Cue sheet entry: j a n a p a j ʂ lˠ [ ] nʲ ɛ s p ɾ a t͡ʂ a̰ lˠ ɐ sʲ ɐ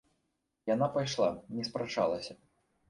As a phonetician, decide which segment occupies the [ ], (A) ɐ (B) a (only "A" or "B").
B